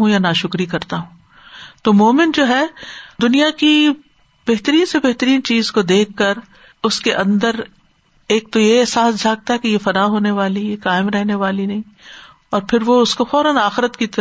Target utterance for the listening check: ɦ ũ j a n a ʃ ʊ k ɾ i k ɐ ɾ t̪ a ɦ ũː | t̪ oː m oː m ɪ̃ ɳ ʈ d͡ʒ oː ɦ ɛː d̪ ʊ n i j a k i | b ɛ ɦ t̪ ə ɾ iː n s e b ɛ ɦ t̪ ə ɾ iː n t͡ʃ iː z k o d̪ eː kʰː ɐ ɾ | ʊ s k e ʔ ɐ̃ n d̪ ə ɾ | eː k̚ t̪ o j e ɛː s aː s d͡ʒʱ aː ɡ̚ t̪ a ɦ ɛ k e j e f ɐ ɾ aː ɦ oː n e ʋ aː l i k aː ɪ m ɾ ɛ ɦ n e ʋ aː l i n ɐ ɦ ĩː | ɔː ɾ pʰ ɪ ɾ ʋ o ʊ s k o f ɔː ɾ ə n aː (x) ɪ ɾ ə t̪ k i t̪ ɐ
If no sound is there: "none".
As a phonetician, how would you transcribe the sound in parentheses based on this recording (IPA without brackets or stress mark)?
x